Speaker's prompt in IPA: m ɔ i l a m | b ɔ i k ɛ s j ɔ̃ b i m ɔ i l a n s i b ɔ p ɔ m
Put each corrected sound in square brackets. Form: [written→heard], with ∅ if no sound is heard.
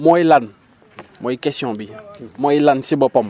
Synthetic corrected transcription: m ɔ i l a [m→n] | [b→m] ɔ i k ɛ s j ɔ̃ b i m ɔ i l a n s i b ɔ p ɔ m